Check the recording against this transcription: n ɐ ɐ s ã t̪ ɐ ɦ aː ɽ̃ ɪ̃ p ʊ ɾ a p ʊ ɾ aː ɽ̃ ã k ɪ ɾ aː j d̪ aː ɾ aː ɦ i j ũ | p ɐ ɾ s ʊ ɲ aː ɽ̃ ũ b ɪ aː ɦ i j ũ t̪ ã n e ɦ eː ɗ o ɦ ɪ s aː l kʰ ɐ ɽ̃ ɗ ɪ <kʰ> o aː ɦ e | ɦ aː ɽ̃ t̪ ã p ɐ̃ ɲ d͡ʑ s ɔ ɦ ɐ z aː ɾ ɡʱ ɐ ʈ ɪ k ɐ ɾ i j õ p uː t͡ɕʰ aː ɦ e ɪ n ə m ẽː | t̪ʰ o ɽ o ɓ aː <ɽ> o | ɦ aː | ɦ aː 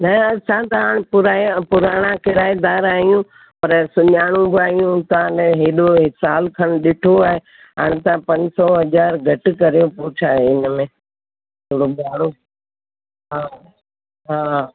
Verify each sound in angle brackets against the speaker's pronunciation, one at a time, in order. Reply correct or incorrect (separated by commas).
incorrect, correct